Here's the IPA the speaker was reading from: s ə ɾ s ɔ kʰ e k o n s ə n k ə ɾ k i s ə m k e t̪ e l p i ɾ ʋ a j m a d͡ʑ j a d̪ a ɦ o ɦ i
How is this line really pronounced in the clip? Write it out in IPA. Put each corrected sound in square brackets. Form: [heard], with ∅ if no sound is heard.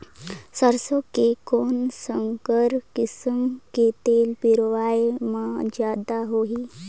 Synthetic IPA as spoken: s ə ɾ s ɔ [k] e k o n s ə [ŋ] k ə ɾ k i s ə m k e t̪ e l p i ɾ ʋ a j m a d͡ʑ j a d̪ a ɦ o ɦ i